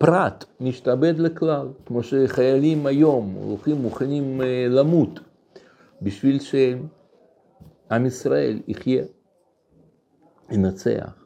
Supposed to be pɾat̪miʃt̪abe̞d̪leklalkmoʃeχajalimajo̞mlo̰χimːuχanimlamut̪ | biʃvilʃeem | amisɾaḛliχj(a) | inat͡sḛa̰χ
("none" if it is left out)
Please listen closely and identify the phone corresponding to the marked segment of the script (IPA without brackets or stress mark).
e